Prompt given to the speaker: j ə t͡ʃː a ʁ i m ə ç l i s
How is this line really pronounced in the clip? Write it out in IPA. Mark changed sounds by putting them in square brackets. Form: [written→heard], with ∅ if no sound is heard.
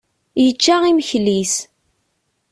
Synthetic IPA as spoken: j ə t͡ʃː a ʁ i m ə ç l i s